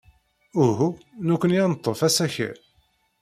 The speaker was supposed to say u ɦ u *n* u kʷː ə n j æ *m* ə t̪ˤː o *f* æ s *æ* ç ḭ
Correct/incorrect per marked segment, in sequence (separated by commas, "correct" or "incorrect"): correct, incorrect, correct, correct